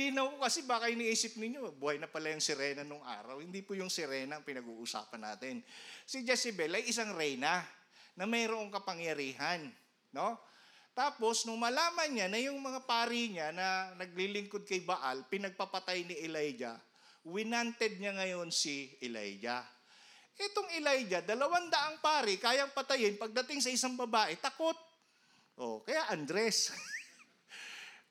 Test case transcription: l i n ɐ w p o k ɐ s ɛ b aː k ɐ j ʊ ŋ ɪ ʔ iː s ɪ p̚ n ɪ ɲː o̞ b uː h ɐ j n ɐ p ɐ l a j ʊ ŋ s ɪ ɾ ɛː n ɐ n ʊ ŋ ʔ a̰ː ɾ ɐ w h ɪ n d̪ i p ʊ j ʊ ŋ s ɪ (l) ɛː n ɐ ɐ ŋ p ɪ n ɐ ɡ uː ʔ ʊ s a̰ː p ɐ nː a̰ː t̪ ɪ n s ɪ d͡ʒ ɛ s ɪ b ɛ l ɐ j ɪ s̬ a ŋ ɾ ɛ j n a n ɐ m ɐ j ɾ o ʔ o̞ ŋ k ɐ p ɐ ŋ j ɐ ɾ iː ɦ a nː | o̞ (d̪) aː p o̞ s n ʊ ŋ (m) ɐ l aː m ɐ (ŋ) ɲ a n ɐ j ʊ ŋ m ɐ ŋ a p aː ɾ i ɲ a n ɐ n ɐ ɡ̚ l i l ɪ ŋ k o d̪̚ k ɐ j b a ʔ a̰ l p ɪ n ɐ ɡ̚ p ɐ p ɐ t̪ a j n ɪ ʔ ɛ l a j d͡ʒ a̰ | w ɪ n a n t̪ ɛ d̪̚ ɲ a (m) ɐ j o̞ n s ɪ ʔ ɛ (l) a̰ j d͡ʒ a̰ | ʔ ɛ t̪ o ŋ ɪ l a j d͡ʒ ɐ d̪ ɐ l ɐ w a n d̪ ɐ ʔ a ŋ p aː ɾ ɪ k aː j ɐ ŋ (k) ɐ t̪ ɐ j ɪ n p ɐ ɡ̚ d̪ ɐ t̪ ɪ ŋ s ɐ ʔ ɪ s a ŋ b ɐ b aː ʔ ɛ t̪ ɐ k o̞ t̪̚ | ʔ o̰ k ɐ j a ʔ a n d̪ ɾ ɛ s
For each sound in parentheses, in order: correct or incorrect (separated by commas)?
incorrect, incorrect, correct, incorrect, incorrect, correct, incorrect